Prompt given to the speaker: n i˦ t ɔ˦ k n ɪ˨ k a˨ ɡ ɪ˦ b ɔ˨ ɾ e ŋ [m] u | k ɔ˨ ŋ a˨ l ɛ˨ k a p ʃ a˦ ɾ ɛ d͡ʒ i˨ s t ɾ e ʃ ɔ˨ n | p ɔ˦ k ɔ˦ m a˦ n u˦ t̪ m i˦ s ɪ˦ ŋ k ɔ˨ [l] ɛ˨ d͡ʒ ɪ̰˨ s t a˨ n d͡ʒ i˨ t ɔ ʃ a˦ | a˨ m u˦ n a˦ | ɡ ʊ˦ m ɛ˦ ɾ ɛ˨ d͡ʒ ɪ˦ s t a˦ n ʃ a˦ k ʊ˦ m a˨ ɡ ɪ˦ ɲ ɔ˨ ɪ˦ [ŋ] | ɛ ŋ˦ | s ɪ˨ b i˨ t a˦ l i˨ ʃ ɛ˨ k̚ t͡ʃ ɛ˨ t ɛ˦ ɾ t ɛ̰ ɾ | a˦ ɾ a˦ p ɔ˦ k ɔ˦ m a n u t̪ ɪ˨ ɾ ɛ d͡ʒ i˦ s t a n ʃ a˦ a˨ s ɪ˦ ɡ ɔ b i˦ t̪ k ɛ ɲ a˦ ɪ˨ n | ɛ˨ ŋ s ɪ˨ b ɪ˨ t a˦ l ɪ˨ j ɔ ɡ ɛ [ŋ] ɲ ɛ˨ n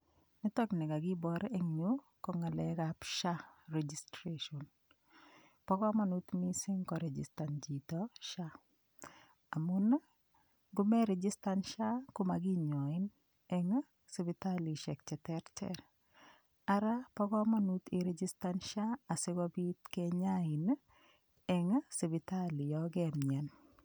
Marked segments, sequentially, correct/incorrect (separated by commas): incorrect, incorrect, incorrect, incorrect